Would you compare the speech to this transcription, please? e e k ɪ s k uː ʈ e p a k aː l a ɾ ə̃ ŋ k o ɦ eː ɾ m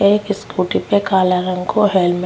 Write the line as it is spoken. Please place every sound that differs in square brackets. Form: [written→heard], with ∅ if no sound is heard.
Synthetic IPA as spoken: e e k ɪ s k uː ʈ [e→i] p [a→e] k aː l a ɾ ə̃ ŋ k o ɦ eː [ɾ→l] m